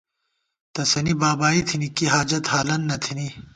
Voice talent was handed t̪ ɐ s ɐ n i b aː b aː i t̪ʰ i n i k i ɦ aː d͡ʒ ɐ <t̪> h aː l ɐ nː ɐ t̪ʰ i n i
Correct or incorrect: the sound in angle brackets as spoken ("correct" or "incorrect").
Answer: correct